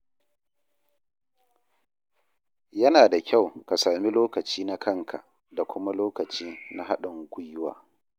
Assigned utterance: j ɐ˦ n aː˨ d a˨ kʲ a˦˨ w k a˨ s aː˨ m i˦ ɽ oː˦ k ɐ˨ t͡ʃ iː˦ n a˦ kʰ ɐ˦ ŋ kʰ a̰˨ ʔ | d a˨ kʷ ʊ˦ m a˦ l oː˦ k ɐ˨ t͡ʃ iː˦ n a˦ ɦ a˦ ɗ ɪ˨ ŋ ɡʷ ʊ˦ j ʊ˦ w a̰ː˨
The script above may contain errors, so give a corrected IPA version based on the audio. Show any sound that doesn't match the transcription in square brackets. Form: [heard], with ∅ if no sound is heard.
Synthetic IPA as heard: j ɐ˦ n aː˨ d a˨ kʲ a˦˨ w k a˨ s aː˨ m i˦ [l] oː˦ k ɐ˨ t͡ʃ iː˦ n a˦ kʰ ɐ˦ ŋ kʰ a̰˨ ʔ | d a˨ kʷ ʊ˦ m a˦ l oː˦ k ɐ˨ t͡ʃ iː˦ n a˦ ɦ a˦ ɗ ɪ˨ ŋ ɡʷ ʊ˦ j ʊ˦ w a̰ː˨